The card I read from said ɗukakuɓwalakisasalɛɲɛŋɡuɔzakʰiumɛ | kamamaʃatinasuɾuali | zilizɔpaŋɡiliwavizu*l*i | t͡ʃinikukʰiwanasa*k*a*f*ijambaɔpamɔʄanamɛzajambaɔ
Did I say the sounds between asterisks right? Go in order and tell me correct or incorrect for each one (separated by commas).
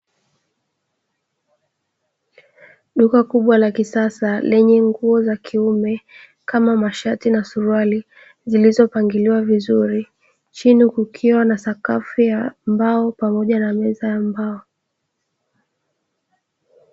incorrect, correct, correct